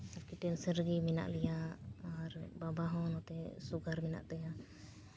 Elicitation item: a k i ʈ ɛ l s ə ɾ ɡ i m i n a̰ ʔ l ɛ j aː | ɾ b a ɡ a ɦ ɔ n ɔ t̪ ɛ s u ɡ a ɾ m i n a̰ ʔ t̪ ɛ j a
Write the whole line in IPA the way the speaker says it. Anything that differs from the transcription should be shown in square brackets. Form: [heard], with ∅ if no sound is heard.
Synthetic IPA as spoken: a k i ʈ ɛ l s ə ɾ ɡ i m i n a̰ ʔ l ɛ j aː | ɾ b a [b] a ɦ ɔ n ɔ t̪ ɛ s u ɡ a ɾ m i n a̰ ʔ t̪ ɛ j a